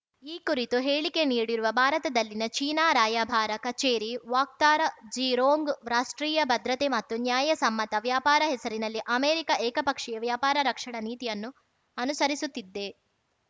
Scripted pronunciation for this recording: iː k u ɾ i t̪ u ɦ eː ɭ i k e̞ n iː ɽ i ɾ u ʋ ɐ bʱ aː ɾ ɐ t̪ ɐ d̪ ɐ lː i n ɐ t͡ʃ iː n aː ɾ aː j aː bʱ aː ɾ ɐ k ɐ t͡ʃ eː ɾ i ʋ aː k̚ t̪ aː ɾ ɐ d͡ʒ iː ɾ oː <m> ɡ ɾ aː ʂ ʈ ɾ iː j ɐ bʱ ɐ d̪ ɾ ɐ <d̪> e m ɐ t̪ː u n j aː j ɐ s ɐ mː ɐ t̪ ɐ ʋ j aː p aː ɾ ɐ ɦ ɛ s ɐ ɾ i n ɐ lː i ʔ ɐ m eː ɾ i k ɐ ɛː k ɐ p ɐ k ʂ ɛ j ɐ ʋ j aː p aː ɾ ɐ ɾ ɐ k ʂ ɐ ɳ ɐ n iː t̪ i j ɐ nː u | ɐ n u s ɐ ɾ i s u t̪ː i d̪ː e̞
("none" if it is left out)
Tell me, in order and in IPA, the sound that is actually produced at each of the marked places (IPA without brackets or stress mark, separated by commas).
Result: ŋ, t̪